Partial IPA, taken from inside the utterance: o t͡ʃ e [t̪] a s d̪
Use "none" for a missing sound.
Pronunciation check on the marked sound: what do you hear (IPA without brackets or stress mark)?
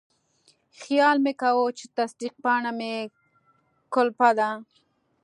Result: t̪